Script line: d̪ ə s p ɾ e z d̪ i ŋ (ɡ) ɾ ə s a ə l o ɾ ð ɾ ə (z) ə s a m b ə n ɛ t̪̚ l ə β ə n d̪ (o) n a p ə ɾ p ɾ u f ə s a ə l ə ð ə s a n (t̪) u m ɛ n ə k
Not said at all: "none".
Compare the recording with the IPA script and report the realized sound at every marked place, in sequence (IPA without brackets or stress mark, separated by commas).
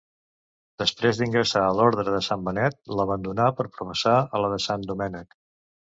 ɡ, ð, u, d̪